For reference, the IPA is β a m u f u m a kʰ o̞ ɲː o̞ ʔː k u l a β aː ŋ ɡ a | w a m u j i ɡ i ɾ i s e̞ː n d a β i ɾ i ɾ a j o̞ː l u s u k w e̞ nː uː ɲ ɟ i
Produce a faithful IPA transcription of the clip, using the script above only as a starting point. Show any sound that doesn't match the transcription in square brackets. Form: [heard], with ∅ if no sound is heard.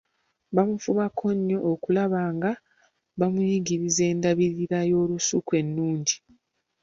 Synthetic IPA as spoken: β a m u f u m a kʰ o̞ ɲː o̞ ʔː k u l a β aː ŋ ɡ a | [β] a m u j i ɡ i ɾ i [z] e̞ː n d a β i ɾ i ɾ a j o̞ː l u s u k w e̞ nː uː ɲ ɟ i